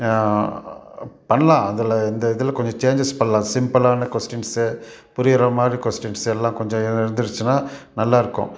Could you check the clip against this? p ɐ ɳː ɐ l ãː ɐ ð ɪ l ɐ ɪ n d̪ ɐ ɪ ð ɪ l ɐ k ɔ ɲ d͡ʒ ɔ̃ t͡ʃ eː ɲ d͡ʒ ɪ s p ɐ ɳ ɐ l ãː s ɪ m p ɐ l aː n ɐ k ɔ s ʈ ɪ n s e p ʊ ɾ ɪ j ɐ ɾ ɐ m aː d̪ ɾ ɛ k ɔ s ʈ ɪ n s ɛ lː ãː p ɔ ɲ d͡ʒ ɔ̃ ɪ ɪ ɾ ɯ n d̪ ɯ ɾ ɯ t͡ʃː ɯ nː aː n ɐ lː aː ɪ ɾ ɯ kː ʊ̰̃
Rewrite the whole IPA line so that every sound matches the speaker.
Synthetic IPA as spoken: p ɐ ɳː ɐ l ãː ɐ ð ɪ l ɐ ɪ n d̪ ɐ ɪ ð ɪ l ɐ k ɔ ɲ d͡ʒ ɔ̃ t͡ʃ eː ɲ d͡ʒ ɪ s p ɐ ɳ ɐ l ãː s ɪ m p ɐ l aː n ɐ k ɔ s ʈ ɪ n s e p ʊ ɾ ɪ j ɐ ɾ ɐ m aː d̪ ɾ i k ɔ s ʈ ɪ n s ɛ lː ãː k ɔ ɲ d͡ʒ ɔ̃ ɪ ɪ ɾ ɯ n d̪ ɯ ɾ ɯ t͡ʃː ɯ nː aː n ɐ lː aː ɪ ɾ ɯ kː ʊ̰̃